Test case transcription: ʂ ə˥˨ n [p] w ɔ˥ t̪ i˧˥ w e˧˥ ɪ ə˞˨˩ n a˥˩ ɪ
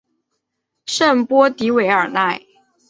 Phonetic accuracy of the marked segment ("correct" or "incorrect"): correct